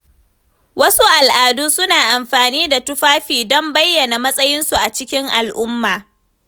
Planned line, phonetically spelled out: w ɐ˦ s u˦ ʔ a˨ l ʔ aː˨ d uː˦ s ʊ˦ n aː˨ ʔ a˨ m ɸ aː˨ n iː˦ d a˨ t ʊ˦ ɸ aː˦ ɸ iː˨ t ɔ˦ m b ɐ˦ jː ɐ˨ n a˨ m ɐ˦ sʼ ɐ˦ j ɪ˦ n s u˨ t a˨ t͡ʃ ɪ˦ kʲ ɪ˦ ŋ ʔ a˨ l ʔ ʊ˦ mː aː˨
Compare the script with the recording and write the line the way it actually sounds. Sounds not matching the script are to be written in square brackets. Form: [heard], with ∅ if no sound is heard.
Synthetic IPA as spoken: w ɐ˦ s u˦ ʔ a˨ l ʔ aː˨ d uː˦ s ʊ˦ n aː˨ ʔ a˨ m ɸ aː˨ n iː˦ d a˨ t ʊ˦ ɸ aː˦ ɸ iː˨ [d] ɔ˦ m b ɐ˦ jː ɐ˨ n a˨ m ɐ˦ sʼ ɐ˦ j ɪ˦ n s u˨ [ʔ] a˨ t͡ʃ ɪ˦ kʲ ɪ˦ ŋ ʔ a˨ l ʔ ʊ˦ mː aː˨

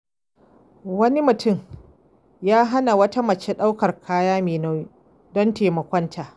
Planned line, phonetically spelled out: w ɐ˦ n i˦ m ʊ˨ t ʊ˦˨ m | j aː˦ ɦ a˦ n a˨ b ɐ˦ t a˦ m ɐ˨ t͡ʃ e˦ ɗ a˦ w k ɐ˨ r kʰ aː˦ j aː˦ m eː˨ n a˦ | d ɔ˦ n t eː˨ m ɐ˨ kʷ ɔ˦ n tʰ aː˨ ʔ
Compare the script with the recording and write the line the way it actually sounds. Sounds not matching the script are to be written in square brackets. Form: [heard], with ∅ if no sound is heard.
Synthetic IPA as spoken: w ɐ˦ n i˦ m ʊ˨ t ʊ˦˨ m | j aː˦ ɦ a˦ n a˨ [w] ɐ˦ t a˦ m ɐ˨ t͡ʃ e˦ ɗ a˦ w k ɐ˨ r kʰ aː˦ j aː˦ m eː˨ n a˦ | d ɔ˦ n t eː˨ m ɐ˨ kʷ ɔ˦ n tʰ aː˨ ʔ

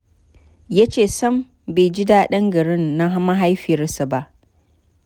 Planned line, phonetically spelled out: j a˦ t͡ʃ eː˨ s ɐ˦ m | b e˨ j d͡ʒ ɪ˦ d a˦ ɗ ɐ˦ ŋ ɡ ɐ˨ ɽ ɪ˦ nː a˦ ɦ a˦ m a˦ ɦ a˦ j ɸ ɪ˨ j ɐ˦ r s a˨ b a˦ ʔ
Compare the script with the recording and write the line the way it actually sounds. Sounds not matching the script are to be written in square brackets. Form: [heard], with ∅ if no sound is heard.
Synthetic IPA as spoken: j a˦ t͡ʃ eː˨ s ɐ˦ m | b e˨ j d͡ʒ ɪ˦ d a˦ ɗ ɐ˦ ŋ ɡ ɐ˨ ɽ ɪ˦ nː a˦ ɦ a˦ m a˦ ɦ a˦ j ɸ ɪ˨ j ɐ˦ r s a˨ b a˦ ʔ

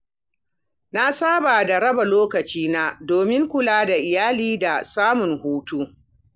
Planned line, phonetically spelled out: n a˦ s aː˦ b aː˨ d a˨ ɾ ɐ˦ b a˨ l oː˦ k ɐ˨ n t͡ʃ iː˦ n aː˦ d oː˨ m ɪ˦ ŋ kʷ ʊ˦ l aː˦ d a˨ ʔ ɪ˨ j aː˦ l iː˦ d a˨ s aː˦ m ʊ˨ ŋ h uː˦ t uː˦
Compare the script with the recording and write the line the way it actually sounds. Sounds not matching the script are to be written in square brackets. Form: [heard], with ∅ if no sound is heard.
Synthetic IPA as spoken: n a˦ s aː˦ b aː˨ d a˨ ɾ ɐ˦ b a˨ l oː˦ k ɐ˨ [∅] t͡ʃ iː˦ n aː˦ d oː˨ m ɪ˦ ŋ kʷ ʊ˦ l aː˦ d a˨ ʔ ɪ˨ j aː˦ l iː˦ d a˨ s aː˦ m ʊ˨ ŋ h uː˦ t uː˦

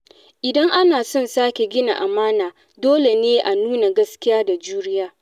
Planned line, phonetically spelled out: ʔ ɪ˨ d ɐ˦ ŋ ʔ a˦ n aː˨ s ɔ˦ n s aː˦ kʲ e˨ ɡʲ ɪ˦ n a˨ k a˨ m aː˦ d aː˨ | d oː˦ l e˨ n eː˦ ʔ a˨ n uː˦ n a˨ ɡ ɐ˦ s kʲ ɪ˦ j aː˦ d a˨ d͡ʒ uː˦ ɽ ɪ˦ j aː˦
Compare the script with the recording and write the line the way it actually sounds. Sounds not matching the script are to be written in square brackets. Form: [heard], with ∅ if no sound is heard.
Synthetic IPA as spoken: ʔ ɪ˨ d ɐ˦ ŋ ʔ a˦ n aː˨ s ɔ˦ n s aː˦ kʲ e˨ ɡʲ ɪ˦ n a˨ [ʔ] a˨ m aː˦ [n] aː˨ | d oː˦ l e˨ n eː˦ ʔ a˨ n uː˦ n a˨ ɡ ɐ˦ s kʲ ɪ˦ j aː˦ d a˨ d͡ʒ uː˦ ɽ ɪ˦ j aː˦

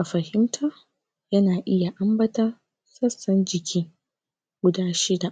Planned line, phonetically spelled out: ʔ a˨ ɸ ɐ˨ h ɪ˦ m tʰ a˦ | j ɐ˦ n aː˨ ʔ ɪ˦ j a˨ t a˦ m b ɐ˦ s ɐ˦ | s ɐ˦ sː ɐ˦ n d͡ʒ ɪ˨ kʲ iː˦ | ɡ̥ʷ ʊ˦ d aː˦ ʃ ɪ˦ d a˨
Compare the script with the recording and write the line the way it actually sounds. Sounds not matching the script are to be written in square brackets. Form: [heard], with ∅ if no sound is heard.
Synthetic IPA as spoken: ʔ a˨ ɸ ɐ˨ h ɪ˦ m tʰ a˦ | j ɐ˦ n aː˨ ʔ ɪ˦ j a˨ [ʔ] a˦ m b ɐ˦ [t] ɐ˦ | s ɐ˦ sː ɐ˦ n d͡ʒ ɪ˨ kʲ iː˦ | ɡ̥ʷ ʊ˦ d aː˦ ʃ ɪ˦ d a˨

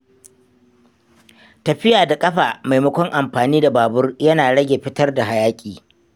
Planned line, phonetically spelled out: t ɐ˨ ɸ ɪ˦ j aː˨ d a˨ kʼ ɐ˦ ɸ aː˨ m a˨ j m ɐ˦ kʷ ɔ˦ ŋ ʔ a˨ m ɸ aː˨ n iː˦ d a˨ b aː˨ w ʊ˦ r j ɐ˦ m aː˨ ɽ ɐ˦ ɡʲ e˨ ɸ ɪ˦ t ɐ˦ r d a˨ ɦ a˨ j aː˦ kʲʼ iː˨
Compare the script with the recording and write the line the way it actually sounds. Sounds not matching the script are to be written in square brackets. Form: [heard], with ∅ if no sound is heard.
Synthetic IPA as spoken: t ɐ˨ ɸ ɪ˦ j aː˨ d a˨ kʼ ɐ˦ ɸ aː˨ m a˨ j m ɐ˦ kʷ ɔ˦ ŋ ʔ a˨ m ɸ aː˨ n iː˦ d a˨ b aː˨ [b] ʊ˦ r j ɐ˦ [n] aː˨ ɽ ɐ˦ ɡʲ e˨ ɸ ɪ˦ t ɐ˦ r d a˨ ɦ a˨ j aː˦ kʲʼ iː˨

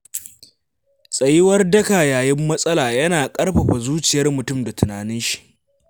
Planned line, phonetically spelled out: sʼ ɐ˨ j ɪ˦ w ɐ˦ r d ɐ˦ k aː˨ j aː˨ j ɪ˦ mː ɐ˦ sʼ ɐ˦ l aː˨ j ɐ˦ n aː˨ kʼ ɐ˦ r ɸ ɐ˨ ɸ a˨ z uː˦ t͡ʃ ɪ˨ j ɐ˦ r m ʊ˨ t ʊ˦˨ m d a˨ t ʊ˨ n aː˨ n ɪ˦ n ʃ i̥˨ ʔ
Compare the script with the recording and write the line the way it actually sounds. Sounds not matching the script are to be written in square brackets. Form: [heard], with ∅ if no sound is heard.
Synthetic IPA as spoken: sʼ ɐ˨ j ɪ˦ w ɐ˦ r d ɐ˦ k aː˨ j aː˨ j ɪ˦ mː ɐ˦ sʼ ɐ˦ l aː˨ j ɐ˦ n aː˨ kʼ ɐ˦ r ɸ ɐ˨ ɸ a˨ z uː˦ t͡ʃ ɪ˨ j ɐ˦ r m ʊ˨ t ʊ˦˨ m d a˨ t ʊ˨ n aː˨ n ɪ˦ n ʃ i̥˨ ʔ

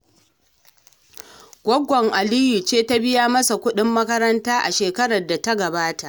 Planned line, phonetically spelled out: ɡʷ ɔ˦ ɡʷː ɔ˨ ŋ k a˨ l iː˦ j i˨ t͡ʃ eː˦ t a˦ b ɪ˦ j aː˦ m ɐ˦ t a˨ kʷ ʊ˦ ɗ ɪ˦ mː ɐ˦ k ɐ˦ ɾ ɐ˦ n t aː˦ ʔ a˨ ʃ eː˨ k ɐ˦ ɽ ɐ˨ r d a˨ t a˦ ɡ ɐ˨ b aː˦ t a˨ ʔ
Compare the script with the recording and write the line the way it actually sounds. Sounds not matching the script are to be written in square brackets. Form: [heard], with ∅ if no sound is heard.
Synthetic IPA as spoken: ɡʷ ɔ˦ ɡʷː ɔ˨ ŋ [ʔ] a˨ l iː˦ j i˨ t͡ʃ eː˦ t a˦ b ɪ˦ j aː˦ m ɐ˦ [s] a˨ kʷ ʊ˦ ɗ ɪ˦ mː ɐ˦ k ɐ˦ ɾ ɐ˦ n t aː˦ ʔ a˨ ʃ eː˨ k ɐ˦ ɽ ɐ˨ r d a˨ t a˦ ɡ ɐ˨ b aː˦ t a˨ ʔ

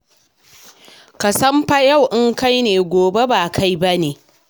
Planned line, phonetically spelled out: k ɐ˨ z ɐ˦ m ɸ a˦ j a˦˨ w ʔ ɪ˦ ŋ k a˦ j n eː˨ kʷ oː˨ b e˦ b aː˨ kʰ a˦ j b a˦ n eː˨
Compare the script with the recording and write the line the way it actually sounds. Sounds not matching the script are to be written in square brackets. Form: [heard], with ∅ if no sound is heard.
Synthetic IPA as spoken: k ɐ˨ [s] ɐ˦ m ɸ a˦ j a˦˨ w ʔ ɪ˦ ŋ k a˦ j n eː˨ [ɡʷ] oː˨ b e˦ b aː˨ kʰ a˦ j b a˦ n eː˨

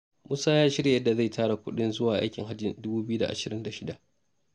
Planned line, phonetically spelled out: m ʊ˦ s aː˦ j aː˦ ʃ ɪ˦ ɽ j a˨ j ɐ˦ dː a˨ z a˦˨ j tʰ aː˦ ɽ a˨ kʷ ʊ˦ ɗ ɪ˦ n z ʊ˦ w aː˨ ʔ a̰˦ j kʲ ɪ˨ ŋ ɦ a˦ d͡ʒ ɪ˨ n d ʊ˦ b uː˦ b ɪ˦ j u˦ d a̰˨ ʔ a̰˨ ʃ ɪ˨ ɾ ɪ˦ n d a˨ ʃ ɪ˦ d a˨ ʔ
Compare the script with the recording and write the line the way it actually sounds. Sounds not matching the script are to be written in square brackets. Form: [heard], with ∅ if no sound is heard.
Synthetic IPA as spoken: m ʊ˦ s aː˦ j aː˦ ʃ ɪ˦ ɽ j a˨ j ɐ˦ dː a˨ z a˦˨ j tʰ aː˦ ɽ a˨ kʷ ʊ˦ ɗ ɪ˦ n z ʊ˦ w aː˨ ʔ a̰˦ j kʲ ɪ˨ ŋ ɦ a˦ d͡ʒ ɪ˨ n d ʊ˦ b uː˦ b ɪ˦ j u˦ d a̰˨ ʔ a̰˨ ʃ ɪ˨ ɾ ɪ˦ n d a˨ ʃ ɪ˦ d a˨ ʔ

